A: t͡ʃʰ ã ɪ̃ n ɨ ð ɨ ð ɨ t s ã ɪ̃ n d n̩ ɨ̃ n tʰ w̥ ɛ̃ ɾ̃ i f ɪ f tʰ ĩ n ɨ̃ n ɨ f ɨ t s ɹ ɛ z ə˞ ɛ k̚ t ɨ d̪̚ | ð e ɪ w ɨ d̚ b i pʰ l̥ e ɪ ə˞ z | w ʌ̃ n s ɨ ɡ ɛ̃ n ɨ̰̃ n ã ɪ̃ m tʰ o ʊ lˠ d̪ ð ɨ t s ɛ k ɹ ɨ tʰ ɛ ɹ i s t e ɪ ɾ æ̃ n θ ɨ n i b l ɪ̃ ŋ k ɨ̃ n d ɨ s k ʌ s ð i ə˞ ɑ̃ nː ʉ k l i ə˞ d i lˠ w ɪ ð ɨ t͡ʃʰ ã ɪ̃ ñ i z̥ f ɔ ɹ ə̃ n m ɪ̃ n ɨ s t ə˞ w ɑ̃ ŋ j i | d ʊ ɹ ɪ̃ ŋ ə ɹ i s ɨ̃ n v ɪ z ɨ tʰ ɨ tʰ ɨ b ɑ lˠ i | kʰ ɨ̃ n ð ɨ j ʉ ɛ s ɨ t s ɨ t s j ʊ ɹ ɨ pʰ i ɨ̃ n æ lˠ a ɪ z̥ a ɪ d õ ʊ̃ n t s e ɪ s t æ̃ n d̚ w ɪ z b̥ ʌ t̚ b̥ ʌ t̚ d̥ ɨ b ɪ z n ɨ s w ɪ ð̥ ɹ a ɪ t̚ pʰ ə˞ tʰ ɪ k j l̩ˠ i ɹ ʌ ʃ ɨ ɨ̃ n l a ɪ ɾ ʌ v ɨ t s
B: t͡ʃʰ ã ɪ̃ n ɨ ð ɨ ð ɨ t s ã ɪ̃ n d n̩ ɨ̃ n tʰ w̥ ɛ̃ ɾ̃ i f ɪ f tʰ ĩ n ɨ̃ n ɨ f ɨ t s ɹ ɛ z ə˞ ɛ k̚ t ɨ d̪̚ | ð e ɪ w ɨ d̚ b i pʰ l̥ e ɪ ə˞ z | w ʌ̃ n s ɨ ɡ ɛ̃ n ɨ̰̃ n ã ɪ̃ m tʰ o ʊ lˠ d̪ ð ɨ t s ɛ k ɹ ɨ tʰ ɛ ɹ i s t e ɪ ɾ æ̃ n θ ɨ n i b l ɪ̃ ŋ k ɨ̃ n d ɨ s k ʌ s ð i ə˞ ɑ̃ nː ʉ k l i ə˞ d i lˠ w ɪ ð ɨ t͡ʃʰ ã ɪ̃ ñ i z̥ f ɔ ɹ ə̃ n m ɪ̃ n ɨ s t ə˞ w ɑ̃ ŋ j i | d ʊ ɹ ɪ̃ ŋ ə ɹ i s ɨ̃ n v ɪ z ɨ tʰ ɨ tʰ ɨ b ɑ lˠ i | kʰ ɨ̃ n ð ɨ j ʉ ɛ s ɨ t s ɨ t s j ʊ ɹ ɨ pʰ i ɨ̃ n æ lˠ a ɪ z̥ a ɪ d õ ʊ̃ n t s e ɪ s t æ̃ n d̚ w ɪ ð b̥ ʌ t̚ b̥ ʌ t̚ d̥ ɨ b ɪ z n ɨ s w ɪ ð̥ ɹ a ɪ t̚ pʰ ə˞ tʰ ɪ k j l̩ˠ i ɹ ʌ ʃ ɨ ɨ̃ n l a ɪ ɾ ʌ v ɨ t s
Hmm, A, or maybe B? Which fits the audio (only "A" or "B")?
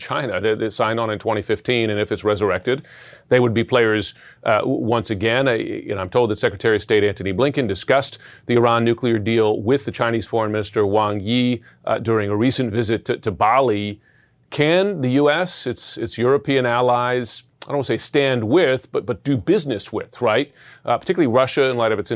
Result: B